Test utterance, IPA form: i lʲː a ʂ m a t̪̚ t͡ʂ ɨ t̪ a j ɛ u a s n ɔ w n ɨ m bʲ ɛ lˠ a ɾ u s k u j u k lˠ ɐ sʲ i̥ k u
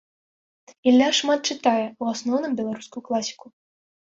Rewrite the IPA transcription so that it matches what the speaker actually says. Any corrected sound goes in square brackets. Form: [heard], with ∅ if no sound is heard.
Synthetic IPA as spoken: i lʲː a ʂ m a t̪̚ t͡ʂ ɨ t̪ a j ɛ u a s n ɔ w n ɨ m bʲ ɛ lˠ a ɾ u s k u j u k lˠ [a] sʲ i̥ k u